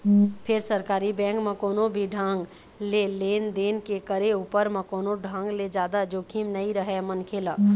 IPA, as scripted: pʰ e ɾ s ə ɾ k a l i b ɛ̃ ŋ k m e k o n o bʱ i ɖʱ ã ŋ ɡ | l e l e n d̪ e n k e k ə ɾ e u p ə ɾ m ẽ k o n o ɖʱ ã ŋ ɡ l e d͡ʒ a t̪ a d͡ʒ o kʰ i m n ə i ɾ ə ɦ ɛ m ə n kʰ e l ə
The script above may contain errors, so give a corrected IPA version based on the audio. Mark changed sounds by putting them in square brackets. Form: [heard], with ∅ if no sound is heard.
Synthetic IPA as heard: pʰ e ɾ s ə ɾ k a [ɾ] i b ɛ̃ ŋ k m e k o n o bʱ i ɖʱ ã ŋ ɡ | l e l e n d̪ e n k e k ə ɾ e u p ə ɾ m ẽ k o n o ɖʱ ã ŋ ɡ l e d͡ʒ a [d̪] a d͡ʒ o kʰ i m n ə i ɾ ə ɦ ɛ m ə n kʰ e l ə